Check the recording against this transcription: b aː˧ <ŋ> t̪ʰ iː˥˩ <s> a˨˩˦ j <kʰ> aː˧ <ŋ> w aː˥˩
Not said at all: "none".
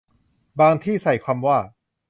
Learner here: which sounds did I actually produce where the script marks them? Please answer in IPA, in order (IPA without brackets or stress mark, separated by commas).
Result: ŋ, s, kʰ, m